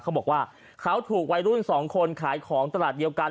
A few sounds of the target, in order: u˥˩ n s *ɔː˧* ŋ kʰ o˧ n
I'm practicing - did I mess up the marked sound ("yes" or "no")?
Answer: yes